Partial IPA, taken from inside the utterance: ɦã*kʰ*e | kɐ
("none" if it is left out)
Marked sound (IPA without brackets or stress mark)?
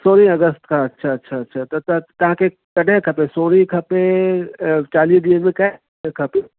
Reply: k